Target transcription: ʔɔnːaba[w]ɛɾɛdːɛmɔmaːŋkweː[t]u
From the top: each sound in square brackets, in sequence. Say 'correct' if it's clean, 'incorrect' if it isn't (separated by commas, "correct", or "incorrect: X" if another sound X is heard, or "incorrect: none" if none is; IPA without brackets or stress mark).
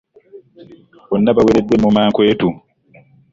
correct, correct